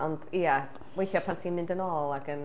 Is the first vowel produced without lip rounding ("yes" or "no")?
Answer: no